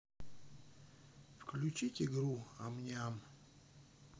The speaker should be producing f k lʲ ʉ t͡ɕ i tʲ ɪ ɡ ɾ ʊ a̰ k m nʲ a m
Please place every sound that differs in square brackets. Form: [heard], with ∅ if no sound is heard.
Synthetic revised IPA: f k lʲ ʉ t͡ɕ i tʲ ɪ ɡ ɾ [u] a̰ [∅] m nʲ a m